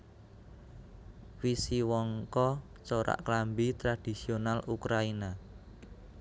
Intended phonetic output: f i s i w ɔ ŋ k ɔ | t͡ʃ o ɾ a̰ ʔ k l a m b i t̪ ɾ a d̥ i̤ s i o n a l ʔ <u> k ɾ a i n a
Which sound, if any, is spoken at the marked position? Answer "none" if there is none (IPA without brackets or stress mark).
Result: u